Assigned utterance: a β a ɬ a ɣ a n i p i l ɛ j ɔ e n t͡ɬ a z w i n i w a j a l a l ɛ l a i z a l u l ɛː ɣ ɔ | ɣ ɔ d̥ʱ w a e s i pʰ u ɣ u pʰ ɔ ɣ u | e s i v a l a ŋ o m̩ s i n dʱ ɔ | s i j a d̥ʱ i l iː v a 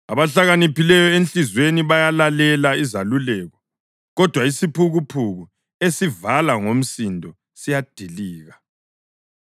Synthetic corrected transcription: a β a ɬ a ɣ a n i p i l ɛ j ɔ e n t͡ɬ i z w e n i β a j a l a l ɛ l a i z a l u l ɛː ɣ ɔ | ɣ ɔ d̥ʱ w a i s i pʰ u ɣ u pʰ u ɣ u | e s i v a l a ŋ o m̩ s i n dʱ ɔ | s i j a d̥ʱ i l iː ɣ a